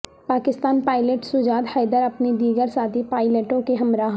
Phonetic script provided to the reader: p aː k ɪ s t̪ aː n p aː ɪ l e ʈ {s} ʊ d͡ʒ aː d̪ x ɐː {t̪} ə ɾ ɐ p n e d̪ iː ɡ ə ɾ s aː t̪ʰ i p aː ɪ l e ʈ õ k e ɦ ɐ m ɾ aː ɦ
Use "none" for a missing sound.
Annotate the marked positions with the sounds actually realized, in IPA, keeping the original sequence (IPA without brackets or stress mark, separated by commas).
s, d̪